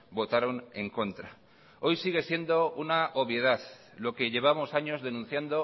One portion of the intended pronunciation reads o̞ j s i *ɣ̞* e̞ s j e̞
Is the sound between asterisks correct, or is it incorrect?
correct